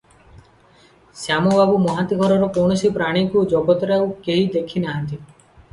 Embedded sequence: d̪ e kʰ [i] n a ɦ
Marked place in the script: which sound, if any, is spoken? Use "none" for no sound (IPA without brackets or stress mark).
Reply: i